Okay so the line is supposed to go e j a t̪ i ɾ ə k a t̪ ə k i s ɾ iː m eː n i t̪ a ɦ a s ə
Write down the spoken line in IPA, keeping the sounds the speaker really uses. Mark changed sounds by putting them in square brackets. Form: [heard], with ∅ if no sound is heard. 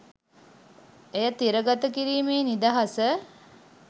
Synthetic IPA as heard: e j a t̪ i ɾ ə [ɡ] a t̪ ə k i [∅] ɾ iː m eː n i [d̪] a ɦ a s ə